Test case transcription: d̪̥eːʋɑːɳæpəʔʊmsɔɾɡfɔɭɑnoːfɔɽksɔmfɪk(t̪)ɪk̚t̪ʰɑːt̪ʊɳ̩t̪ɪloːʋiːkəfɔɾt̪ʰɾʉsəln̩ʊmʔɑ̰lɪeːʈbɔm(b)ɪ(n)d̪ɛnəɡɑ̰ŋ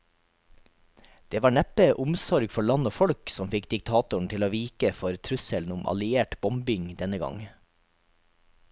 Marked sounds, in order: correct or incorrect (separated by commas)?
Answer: incorrect, correct, incorrect